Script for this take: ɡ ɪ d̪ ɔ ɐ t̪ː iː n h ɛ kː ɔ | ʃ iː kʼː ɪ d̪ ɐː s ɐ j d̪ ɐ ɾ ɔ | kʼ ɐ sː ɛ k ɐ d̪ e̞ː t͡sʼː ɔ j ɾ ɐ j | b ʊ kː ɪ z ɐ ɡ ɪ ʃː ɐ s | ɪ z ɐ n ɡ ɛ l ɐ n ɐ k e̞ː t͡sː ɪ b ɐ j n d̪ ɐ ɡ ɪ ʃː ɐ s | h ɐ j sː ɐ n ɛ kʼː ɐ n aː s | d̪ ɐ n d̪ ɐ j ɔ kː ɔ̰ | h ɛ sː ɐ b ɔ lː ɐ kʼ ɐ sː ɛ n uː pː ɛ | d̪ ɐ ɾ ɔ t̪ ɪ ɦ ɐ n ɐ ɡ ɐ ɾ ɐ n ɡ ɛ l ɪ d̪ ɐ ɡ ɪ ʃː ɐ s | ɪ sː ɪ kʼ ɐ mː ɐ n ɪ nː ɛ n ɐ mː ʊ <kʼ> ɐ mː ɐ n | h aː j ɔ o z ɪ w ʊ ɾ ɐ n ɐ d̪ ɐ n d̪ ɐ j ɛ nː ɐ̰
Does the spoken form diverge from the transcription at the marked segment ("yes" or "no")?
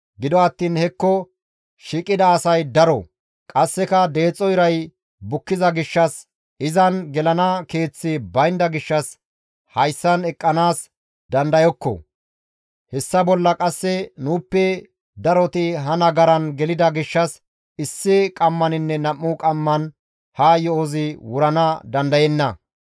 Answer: no